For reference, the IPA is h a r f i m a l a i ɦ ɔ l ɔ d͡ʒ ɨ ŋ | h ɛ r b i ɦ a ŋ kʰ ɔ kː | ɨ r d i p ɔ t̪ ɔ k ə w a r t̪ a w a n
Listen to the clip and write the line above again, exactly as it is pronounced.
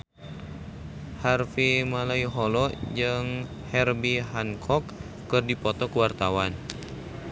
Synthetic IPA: h a r f i m a l a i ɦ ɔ l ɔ d͡ʒ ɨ ŋ | h ɛ r b i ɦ a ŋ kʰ ɔ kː | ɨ r d i p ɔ t̪ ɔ k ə w a r t̪ a w a n